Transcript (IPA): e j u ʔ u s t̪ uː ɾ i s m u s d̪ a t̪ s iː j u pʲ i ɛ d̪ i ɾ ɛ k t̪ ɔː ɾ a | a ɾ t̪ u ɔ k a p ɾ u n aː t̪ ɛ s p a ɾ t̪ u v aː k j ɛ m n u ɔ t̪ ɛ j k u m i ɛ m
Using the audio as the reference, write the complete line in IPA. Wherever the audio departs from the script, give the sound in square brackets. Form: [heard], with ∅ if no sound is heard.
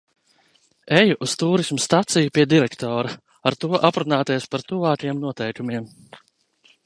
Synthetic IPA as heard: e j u ʔ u s t̪ uː ɾ i s m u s [t̪] a t̪ s [i] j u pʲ i ɛ d̪ i ɾ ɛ k t̪ ɔː ɾ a | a ɾ t̪ u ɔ [ʔ] a p ɾ u n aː t̪ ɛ s p a ɾ t̪ u v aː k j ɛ m n u ɔ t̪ ɛ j k u m i ɛ m